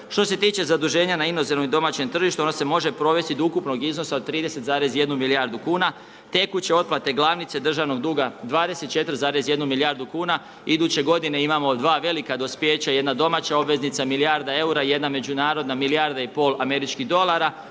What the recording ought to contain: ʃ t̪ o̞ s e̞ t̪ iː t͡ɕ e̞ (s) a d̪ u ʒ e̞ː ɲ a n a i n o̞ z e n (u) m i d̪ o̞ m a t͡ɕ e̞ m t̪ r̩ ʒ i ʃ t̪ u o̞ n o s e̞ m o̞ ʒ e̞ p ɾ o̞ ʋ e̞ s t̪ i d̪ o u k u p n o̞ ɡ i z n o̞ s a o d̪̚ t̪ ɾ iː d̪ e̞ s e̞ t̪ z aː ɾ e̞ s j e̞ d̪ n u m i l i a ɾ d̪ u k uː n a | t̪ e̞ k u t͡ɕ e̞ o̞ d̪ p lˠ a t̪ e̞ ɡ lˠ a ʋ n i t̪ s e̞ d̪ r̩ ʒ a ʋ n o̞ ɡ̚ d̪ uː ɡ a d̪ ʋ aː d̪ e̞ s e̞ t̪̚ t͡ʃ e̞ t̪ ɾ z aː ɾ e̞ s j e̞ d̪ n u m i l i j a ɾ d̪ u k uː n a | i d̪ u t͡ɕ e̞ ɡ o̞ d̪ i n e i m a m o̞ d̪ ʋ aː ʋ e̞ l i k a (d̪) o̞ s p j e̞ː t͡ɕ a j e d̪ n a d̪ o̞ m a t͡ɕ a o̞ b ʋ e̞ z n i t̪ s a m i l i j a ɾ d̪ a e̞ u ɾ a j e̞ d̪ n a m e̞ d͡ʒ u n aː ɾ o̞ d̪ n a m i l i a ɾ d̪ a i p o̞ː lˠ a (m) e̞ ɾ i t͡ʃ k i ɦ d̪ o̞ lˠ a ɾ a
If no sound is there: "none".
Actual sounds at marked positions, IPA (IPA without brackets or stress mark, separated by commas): z, o, d̪, m